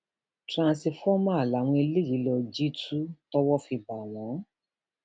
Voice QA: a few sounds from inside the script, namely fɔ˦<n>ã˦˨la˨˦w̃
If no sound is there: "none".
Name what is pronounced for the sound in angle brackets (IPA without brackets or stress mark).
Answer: m